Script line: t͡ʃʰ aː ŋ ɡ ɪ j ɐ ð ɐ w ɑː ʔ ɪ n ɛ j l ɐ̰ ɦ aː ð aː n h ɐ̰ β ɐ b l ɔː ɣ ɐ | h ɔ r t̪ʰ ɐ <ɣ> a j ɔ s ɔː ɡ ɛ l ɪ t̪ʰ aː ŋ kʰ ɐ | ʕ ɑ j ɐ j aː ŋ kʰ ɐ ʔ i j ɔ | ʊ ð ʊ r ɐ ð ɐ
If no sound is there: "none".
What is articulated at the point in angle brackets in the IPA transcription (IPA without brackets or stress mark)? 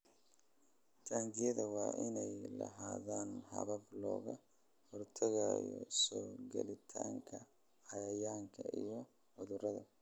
ɣ